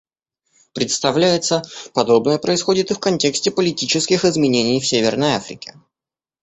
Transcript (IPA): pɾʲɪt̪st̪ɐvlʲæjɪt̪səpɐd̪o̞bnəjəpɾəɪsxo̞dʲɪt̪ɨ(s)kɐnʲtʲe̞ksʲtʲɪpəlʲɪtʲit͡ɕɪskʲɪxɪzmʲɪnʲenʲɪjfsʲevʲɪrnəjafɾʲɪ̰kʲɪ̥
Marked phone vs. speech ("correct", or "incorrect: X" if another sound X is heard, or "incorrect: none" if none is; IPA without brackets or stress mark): incorrect: f